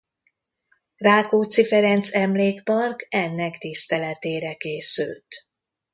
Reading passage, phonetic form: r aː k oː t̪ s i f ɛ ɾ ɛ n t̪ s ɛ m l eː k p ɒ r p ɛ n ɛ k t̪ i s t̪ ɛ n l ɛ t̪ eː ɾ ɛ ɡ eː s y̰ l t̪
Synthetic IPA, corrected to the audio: r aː k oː t̪ s i f ɛ ɾ ɛ n t̪ s ɛ m l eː k p ɒ r k ɛ nː ɛ k t̪ i s t̪ ɛ l ɛ t̪ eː ɾ ɛ k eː s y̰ l t̪